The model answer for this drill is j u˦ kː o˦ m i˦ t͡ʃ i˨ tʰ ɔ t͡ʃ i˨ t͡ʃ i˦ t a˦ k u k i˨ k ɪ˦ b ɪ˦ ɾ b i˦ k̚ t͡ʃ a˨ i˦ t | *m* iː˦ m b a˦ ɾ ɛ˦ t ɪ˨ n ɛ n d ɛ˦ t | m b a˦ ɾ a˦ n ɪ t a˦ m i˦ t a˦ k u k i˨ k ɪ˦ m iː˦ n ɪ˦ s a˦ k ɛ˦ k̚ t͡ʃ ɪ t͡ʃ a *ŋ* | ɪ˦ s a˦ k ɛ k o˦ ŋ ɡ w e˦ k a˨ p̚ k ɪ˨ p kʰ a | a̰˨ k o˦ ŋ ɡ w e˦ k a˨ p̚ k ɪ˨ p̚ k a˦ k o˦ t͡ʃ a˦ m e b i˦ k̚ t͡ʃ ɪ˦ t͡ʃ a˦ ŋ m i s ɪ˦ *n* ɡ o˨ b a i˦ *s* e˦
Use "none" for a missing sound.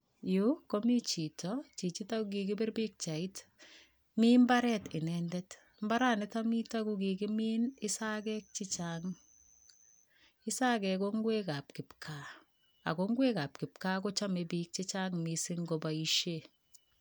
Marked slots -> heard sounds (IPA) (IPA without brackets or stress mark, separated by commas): m, ŋ, ŋ, ʃ